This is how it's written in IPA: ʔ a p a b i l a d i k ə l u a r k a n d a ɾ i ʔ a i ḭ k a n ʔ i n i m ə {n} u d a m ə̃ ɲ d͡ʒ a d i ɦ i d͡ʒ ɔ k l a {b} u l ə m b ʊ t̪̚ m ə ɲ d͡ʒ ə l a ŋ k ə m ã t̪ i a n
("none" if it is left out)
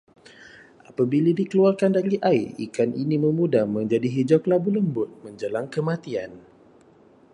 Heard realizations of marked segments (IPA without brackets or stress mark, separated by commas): m, b